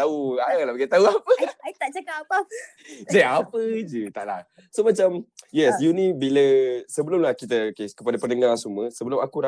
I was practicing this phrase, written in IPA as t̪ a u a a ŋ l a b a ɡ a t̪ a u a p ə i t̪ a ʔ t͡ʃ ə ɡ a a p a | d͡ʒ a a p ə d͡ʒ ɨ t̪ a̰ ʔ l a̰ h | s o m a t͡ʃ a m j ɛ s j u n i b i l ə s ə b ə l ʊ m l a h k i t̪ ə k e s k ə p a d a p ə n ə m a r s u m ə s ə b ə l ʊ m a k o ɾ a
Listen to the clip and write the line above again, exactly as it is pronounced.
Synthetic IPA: t̪ a u a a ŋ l a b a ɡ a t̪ a u a p ə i t̪ a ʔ t͡ʃ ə k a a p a | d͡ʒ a a p ə d͡ʒ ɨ t̪ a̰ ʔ l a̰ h | s o m a t͡ʃ a m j ɛ s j u n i b i l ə s ə b ə l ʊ m l a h k i t̪ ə k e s k ə p a d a p ə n ə ŋ a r s u m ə s ə b ə l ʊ m a k u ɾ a